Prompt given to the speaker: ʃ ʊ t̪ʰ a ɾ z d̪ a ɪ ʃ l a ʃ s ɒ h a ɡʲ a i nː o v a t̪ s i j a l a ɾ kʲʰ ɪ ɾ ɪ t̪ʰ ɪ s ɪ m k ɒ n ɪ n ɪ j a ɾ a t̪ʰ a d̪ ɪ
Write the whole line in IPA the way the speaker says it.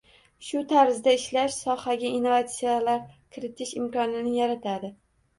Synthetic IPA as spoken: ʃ ʊ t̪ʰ a ɾ z d̪ a ɪ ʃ l a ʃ s ɒ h a ɡʲ a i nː o v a t̪ s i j a l a ɾ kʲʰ ɪ ɾ ɪ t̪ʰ ɪ ʃ ɪ m k ɒ n ɪ n ɪ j a ɾ a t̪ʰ a d̪ ɪ

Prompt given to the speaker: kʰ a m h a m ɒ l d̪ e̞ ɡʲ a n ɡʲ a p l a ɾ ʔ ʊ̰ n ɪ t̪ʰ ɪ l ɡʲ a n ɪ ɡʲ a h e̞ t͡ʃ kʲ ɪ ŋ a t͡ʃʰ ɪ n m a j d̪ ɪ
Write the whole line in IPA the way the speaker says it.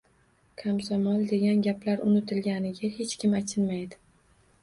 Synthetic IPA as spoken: kʰ a m s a m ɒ l d̪ e̞ ɡʲ a n ɡʲ a p l a ɾ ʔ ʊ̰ n ɪ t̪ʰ ɪ l ɡʲ a n ɪ ɡʲ a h e̞ t͡ʃ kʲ ɪ m a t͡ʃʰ ɪ n m a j d̪ ɪ

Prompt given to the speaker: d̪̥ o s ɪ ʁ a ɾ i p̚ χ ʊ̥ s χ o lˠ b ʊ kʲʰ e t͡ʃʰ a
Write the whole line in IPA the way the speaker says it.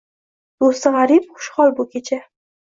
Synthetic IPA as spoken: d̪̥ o s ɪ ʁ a ɾ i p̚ χ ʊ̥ ʃ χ ɒ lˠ b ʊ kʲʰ e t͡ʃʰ a

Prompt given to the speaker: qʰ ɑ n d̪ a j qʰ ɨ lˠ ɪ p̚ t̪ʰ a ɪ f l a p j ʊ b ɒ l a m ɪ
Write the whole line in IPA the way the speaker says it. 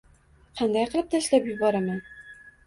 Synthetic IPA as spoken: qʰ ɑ n d̪ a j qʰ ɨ lˠ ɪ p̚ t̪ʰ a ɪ ʃ l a p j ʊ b ɒ ɾ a m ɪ

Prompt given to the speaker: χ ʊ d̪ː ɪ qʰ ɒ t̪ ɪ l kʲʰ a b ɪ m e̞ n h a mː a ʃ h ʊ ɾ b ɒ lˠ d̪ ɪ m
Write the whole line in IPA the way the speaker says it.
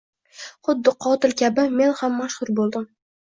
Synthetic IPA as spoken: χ ʊ d̪ː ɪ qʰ ɒ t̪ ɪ l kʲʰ a b ɪ m e̞ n h a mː a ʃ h ʊ ɾ b o lˠ d̪ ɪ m

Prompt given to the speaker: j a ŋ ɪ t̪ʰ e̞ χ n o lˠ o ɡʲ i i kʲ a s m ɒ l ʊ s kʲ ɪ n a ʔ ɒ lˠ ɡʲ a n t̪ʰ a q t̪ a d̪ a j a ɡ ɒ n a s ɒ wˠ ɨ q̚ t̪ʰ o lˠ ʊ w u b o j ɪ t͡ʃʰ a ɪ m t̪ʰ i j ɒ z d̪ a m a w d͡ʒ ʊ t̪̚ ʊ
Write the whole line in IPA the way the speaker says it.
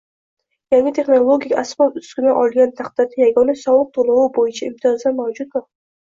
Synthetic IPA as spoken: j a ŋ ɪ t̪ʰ e̞ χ n o lˠ o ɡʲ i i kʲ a s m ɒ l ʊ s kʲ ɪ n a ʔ ɒ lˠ ɡʲ a n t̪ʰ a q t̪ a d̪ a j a ɡ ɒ n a s ɒ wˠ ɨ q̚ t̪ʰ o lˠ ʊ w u b o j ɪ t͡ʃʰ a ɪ m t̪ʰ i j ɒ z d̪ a m a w d͡ʒ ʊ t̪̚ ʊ

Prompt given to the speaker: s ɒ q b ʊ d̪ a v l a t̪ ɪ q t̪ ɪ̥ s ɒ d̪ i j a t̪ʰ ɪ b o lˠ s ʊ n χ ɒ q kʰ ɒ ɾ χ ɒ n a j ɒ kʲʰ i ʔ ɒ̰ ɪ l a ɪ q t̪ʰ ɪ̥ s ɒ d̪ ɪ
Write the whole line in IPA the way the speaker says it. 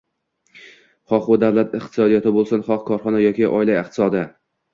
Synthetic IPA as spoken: χ ɒ q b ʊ d̪ a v l a t̪ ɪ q t̪ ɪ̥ s ɒ d̪ i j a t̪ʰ ɪ b o lˠ s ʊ n χ ɒ q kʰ ɒ ɾ χ ɒ n a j ɒ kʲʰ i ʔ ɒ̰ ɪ l a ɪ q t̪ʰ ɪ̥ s ɒ d̪ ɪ

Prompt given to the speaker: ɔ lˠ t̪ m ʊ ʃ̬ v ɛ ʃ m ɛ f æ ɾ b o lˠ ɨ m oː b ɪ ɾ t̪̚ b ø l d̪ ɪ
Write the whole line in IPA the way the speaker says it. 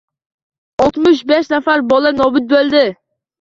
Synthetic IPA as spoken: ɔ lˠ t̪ m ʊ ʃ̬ b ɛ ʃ n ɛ f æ ɾ b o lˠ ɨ n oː b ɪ t̪̚ b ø l d̪ ɪ

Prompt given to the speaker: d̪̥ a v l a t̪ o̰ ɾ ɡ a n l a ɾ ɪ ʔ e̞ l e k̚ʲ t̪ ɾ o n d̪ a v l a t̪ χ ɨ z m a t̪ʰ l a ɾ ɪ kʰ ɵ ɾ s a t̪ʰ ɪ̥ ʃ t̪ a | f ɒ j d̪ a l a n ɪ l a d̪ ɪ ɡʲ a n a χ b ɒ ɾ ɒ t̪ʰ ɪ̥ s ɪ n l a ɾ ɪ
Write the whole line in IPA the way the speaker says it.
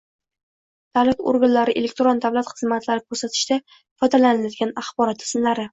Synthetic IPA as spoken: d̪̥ a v l a t̪ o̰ ɾ ɡ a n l a ɾ ɪ ʔ e̞ l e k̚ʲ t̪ ɾ o n d̪ a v l a t̪ χ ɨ z m a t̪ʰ l a ɾ ɪ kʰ ɵ ɾ s a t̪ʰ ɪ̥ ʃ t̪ a | f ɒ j d̪ a l a n ɪ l a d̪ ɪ ɡʲ a n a χ b ɒ ɾ ɒ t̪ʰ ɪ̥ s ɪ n l a ɾ ɪ

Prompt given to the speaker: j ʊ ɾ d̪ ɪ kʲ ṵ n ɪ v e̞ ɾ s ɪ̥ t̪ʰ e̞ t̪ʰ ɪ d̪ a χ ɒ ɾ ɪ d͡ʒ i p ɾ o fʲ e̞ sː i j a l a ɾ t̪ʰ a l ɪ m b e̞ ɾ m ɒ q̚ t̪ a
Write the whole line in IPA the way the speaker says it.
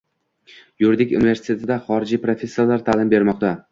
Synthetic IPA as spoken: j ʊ ɾ d̪ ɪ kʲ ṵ n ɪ v e̞ ɾ s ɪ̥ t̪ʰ e̞ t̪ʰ ɪ d̪ a χ ɒ ɾ ɪ d͡ʒ i p ɾ o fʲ e̞ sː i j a l a ɾ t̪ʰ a l ɪ m b e̞ ɾ m ɒ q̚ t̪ a

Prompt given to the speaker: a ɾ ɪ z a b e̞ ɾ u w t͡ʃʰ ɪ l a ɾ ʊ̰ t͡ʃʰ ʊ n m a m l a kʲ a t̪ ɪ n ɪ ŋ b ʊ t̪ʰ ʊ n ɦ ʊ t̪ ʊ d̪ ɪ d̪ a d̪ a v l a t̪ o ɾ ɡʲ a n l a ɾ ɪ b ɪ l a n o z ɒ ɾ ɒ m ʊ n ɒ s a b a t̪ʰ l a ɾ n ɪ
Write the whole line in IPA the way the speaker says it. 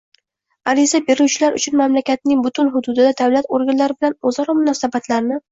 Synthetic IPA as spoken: a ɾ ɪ z a b e̞ ɾ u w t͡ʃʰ ɪ l a ɾ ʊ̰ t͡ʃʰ ʊ n m a m l a kʲ a t̪ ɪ n ɪ ŋ b ʊ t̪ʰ ʊ n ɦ ʊ d̪ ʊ d̪ ɪ d̪ a d̪ a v l a t̪ o ɾ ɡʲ a n l a ɾ ɪ b ɪ l a n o z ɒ ɾ ɒ m ʊ n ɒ s a b a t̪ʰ l a ɾ n ɪ

